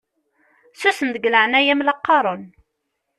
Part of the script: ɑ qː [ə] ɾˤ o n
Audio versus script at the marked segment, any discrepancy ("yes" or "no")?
yes